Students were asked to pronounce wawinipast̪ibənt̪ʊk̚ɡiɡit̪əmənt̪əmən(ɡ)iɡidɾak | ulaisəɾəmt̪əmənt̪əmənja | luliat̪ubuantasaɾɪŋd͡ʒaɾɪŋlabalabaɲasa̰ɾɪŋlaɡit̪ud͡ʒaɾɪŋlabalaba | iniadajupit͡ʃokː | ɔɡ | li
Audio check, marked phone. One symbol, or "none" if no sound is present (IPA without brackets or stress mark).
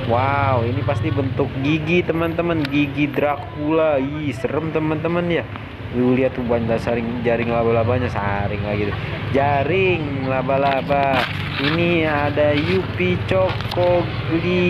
ɡ